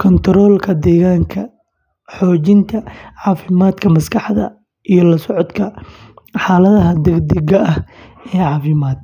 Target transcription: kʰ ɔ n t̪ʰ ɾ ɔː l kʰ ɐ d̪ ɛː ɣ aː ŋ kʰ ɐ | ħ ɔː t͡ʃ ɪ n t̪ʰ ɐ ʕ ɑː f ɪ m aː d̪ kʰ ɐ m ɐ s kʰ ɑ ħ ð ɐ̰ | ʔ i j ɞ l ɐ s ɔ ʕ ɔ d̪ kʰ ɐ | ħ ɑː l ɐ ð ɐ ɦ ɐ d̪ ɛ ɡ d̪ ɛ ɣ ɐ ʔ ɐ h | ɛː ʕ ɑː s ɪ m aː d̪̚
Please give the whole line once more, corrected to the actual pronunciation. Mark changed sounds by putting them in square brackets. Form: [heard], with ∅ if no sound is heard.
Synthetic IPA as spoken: kʰ ɔ n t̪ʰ ɾ ɔː l kʰ ɐ d̪ ɛː ɣ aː ŋ kʰ ɐ | ħ ɔː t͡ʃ ɪ n t̪ʰ ɐ ʕ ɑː f ɪ m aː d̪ kʰ ɐ m ɐ s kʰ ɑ ħ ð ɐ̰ | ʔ i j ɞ l ɐ s ɔ ʕ ɔ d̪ kʰ ɐ | ħ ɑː l ɐ ð ɐ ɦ ɐ d̪ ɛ ɡ d̪ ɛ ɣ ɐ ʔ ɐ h | ɛː ʕ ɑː [f] ɪ m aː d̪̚